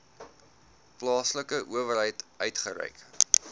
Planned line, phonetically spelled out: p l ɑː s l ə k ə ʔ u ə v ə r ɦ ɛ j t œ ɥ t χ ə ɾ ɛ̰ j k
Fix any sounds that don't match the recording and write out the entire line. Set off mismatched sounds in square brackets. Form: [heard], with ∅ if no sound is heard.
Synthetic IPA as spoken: p l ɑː s l ə k ə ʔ u ə v ə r ɦ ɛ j t œ ɥ t χ ə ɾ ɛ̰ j k